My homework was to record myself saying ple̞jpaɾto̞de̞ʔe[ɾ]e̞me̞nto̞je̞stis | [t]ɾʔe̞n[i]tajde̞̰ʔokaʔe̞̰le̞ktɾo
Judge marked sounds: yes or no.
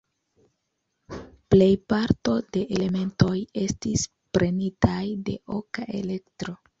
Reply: no, no, yes

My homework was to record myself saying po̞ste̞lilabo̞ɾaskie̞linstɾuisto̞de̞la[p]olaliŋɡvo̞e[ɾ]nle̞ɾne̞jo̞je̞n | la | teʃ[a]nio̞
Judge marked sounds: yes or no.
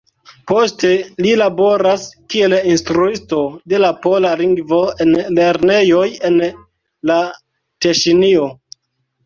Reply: yes, no, no

